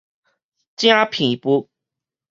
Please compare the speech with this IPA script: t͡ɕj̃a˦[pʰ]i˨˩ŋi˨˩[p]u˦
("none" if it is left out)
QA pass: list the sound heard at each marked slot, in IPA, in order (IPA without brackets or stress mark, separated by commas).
pʰ, p